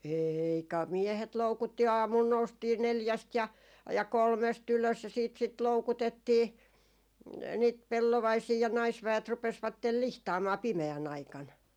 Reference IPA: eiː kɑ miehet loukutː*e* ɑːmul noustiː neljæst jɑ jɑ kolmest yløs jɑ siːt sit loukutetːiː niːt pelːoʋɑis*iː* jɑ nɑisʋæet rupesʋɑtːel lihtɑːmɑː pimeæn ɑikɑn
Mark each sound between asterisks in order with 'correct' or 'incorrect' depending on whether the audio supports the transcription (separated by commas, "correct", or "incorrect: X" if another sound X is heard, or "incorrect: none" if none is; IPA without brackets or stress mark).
incorrect: i, correct